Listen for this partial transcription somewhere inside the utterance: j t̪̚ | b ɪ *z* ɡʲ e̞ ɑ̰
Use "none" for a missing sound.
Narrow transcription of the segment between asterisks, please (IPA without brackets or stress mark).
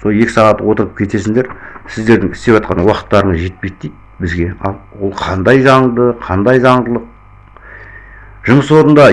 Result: z